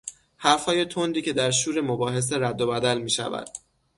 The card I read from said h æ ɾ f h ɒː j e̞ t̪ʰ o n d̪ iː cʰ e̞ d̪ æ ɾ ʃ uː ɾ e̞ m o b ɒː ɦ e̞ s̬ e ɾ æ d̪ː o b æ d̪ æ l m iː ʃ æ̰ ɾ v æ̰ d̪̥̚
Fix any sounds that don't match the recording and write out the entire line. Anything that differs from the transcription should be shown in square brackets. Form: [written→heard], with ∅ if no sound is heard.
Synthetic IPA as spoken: h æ ɾ f h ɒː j e̞ t̪ʰ o n d̪ iː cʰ e̞ d̪ æ ɾ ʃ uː ɾ e̞ m o b ɒː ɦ e̞ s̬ e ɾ æ d̪ː o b æ d̪ æ l m iː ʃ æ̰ [ɾ→∅] v æ̰ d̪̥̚